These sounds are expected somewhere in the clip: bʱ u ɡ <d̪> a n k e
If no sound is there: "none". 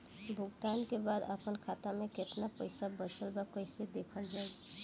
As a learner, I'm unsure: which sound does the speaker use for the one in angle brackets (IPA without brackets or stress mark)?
t̪